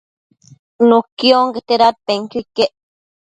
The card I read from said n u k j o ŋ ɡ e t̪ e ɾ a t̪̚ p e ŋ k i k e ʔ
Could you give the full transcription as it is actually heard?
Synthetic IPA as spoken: n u k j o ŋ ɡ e t̪ e ɾ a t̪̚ p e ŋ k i k e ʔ